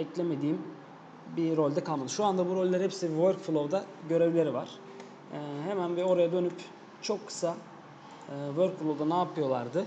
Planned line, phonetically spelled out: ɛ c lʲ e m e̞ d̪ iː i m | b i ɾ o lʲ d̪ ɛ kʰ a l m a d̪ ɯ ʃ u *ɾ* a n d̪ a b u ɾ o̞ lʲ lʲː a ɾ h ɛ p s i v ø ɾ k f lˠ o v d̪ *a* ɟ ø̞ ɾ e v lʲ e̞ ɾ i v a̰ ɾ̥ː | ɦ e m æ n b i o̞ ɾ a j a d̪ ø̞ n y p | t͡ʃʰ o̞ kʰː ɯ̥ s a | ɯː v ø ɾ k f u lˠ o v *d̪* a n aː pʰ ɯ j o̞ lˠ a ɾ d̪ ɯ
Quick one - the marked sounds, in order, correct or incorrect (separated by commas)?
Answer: incorrect, correct, correct